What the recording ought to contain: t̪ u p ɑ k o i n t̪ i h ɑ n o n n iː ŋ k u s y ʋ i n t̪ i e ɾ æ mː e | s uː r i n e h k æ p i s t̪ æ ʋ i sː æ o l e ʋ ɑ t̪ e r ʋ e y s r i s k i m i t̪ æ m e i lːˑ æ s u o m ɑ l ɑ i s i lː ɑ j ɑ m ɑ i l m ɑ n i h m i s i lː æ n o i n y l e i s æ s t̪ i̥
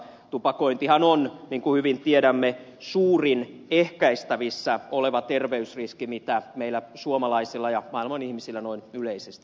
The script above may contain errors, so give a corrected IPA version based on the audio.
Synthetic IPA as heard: t̪ u p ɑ k o i n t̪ i h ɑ n o n n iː ŋ k u h y ʋ i n t̪ i e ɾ æ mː e | s uː r i n e h k æ i s t̪ æ ʋ i sː æ o l e ʋ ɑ t̪ e r ʋ e y s r i s k i m i t̪ æ m e i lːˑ æ s u o m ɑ l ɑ i s i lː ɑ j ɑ m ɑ i l m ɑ n i h m i s i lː æ n o i n y l e i s e s t̪ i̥